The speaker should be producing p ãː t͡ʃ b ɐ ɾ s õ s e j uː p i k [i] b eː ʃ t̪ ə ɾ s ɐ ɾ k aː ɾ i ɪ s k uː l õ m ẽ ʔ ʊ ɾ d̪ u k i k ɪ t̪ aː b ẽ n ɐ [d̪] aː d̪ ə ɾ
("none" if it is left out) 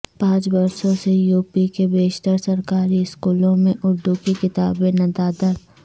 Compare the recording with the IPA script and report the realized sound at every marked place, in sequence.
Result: e, d̪

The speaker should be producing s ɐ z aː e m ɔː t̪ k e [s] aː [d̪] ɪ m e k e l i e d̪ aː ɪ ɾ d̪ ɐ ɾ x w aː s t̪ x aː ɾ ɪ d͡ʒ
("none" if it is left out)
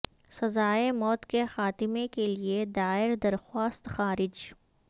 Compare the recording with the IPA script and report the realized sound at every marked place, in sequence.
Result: x, t̪

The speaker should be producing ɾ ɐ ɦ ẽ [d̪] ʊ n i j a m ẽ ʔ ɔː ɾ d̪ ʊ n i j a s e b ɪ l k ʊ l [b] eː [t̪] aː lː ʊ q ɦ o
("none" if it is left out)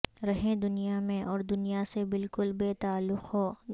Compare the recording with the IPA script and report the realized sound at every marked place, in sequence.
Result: d̪, b, t̪

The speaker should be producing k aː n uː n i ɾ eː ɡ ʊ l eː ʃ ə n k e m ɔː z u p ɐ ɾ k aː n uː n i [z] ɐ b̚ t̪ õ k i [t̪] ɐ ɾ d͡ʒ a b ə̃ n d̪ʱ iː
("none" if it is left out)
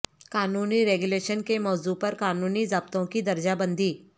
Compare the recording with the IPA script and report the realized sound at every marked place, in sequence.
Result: z, d̪

